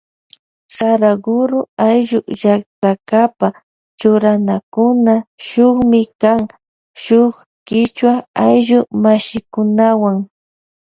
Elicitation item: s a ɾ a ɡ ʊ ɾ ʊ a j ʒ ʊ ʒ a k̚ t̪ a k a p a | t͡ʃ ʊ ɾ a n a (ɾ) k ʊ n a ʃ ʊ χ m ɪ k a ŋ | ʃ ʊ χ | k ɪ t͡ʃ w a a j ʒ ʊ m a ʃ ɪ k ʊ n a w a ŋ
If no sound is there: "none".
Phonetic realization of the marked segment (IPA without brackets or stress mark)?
none